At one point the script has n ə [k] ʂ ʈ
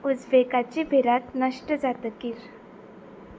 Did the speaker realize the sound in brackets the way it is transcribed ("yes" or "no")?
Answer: no